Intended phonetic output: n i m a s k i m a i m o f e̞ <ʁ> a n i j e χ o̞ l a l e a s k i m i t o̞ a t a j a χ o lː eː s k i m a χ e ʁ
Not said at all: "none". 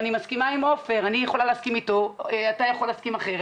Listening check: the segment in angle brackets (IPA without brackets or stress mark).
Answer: ʁ